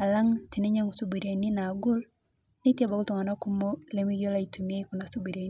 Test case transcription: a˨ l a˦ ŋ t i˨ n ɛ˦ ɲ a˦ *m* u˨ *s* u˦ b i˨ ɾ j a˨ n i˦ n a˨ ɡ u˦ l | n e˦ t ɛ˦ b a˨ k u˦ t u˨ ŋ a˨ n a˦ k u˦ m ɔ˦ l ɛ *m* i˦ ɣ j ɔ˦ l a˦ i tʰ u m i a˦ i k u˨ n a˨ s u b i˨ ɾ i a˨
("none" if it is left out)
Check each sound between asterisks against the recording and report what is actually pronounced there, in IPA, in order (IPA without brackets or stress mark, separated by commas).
ŋ, s, m